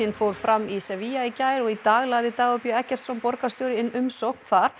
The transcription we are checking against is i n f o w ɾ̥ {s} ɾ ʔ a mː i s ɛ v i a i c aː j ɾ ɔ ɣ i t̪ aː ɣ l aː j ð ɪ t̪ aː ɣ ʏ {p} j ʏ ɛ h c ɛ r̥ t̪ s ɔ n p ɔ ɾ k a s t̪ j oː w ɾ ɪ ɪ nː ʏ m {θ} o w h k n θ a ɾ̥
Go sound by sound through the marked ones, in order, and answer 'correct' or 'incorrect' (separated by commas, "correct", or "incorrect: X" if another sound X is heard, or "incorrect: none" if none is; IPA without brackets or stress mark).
incorrect: f, correct, incorrect: s